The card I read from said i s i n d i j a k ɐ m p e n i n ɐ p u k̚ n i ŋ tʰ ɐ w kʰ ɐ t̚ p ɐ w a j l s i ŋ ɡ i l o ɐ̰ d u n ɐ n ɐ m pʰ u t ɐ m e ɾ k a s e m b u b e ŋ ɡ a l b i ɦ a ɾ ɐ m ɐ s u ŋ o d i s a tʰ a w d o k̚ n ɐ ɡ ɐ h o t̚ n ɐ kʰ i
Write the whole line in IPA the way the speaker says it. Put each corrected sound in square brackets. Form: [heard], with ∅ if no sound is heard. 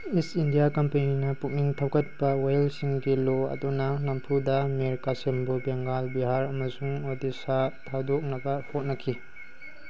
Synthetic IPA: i s i n d i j a k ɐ m p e n i n ɐ p u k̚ n i ŋ tʰ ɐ w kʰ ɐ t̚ p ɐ w a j l s i ŋ ɡ i l o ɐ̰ d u n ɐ n ɐ m pʰ u [d] ɐ m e ɾ k a s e m b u b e ŋ ɡ a l b i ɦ a ɾ ɐ m ɐ s u ŋ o d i s a tʰ a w d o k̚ n ɐ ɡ ɐ h o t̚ n ɐ kʰ i